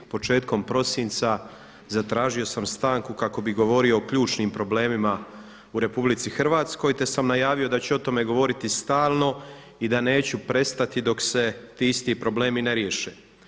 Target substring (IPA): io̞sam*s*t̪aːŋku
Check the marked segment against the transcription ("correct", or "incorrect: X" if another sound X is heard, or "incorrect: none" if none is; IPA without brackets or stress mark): correct